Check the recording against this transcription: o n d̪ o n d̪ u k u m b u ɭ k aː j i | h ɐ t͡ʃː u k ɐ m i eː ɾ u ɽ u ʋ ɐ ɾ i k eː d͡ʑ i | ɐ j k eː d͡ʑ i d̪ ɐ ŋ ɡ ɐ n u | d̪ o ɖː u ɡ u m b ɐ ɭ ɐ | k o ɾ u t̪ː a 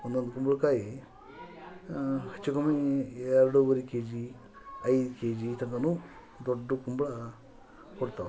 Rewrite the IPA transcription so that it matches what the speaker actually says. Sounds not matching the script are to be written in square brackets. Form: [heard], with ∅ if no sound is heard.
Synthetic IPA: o n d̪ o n d̪ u k u m b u ɭ k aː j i | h ɐ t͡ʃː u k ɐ m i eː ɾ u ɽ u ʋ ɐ ɾ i k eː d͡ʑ i | ɐ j k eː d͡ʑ i [t̪] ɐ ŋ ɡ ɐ n u | d̪ o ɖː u [k] u m b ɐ ɭ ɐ | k o [ɽ] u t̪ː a